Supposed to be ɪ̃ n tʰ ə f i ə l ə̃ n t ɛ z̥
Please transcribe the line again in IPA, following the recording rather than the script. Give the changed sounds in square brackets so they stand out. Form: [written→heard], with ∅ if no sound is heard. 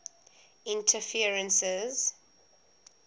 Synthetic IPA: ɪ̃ n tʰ ə f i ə [l→ɹ] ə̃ n [t→s] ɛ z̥